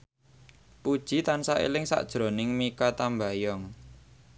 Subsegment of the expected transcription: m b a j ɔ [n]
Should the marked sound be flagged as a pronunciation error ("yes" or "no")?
yes